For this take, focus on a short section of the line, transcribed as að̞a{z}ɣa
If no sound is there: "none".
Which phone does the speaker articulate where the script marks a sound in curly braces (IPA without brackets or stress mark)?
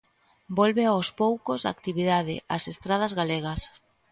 z